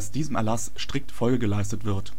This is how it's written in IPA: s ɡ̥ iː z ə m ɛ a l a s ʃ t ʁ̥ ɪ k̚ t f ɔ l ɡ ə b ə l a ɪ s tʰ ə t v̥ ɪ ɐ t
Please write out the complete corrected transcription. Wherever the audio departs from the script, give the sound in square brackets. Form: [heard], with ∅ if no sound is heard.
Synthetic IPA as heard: s [d̥] iː z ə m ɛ [ɐ] l a s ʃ t ʁ̥ ɪ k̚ t f ɔ l ɡ ə [ɡ] ə l a ɪ s [t] ə t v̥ ɪ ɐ t